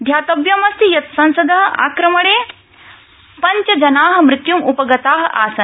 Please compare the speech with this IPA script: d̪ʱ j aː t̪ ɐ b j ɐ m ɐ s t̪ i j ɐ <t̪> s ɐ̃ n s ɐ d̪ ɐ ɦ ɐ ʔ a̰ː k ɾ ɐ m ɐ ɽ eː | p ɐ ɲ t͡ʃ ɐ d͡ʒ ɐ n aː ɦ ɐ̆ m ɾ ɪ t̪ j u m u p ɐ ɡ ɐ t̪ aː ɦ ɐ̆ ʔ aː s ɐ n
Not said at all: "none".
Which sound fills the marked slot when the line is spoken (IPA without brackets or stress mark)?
t̪